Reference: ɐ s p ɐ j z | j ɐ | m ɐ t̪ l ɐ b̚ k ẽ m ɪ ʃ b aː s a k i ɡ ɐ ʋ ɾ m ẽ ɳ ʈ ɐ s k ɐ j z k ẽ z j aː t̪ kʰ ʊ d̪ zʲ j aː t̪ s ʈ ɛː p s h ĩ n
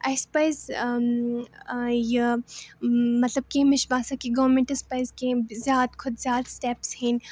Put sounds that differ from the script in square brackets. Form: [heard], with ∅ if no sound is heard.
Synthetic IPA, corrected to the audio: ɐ s p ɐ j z | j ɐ | m ɐ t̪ l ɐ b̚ k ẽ m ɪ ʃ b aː s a k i ɡ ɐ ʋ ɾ m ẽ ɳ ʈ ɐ s [p] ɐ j z k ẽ z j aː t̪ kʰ ʊ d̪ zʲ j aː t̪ s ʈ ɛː p s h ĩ n